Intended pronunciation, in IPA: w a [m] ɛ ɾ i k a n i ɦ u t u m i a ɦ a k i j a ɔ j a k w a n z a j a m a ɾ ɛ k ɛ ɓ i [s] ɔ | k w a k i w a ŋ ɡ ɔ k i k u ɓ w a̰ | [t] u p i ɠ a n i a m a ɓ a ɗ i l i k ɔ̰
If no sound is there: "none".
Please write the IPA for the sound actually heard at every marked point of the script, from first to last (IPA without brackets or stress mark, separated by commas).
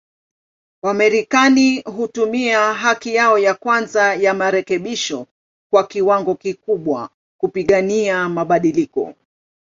m, ʃ, k